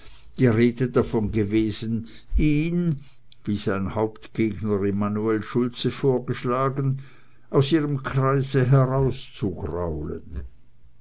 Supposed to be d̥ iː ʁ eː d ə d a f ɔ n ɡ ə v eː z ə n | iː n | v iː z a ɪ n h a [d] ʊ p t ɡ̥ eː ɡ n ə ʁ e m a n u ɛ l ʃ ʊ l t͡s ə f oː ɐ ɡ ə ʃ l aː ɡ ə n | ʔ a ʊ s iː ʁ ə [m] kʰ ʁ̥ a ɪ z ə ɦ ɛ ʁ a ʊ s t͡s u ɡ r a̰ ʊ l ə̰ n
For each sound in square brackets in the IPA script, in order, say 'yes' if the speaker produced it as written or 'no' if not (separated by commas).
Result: no, yes